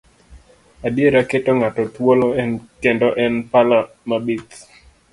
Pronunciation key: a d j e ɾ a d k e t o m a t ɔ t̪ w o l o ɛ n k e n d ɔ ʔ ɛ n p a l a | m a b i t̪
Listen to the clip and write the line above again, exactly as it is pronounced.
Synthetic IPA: a d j e ɾ a k e t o ŋ a t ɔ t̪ w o l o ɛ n k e n d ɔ ʔ ɛ n p a l a | m a b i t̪

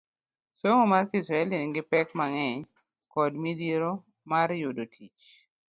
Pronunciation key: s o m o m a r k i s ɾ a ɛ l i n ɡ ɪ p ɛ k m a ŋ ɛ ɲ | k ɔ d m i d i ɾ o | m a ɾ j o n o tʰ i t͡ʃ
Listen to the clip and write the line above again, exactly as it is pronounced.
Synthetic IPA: s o ŋ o m a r k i s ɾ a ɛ l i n ɡ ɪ p ɛ k m a ŋ ɛ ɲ | k ɔ d m i d i ɾ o | m a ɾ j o d o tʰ i t͡ʃ

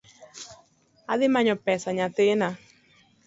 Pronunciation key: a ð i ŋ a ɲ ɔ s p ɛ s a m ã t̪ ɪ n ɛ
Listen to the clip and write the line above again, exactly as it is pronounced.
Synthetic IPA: a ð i m a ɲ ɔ p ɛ s a ɲ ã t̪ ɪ n a

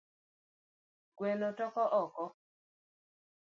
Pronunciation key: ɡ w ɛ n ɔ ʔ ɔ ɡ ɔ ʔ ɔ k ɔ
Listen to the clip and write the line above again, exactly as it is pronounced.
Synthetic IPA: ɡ w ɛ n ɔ t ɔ k ɔ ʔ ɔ k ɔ

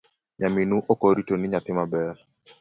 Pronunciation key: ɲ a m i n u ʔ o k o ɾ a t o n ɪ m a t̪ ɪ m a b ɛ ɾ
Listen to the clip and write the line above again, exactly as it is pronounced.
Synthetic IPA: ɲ a m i n u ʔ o k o ɾ i t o n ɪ ɲ a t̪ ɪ m a b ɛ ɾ

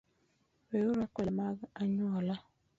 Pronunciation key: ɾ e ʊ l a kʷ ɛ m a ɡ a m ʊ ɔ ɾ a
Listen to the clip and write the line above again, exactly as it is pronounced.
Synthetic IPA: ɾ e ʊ ɾ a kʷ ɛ m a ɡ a ɲ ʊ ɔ l a

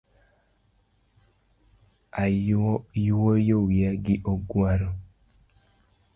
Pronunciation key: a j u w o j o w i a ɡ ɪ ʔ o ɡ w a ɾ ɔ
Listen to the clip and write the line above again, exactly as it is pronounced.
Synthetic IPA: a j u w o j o w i a ɡ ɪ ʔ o ɡ w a ɾ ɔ

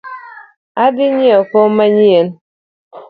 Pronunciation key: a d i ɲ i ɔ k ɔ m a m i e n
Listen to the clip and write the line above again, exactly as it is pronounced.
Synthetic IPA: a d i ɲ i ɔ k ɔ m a ɲ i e n

